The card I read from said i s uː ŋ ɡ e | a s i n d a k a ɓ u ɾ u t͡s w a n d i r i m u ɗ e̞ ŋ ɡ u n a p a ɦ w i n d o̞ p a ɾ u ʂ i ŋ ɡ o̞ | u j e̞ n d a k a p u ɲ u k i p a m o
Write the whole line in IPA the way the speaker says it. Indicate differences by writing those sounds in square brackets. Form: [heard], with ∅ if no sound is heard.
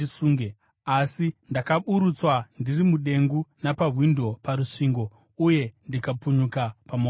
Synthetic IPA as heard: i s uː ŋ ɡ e | a s i n d a k a ɓ u ɾ u t͡s w a n d i r i m u ɗ e̞ ŋ ɡ u n a p a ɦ w i n d o̞ p a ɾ u ʂ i ŋ ɡ o̞ | u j e̞ n d [i] k a p u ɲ u k [a] p a m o